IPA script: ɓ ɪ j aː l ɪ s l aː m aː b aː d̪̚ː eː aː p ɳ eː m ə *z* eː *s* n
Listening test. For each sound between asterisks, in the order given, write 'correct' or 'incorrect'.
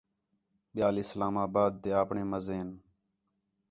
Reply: correct, incorrect: none

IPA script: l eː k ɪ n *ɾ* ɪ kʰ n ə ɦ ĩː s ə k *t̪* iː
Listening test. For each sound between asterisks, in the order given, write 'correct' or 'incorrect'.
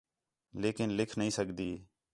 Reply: incorrect: l, incorrect: d̪

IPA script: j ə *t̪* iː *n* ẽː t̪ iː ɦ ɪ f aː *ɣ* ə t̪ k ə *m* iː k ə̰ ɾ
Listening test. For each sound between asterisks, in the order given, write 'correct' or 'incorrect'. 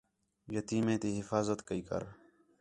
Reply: correct, incorrect: m, incorrect: z, incorrect: none

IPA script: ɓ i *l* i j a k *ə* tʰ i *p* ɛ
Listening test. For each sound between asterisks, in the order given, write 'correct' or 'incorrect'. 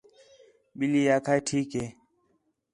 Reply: correct, incorrect: a, incorrect: k

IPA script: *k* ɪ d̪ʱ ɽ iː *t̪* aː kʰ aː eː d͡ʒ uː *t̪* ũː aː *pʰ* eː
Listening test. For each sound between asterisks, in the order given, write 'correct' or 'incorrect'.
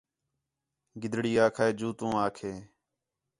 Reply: incorrect: ɡ, incorrect: none, correct, incorrect: kʰ

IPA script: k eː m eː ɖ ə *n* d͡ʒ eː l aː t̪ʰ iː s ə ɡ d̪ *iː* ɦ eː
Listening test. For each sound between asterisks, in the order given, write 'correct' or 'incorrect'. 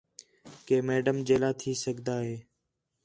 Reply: incorrect: m, incorrect: aː

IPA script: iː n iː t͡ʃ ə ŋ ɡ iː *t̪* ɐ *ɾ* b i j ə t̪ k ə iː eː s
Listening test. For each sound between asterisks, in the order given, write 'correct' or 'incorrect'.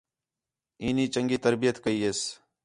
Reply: correct, correct

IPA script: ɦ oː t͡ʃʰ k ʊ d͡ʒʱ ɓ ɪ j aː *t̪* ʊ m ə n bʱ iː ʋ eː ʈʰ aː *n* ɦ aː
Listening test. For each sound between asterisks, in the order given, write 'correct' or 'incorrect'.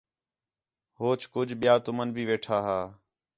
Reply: correct, incorrect: none

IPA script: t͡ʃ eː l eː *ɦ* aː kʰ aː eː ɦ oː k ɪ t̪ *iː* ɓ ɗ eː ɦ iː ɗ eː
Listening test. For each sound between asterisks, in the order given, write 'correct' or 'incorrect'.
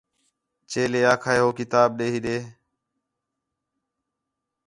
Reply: incorrect: none, incorrect: aː

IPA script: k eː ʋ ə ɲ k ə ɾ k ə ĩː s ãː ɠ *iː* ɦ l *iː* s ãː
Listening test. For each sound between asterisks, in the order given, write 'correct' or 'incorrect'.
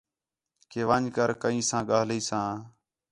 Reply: incorrect: aː, correct

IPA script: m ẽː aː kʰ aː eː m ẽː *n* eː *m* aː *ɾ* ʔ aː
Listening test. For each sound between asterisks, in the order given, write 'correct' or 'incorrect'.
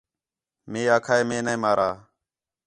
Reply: correct, correct, correct

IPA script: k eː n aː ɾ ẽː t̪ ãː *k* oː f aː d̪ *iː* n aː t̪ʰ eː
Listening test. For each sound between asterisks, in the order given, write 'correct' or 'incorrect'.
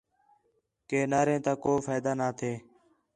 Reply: correct, incorrect: aː

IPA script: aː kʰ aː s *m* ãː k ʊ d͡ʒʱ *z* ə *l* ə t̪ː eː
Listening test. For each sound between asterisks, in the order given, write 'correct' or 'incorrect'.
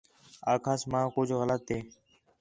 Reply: correct, incorrect: ɣ, correct

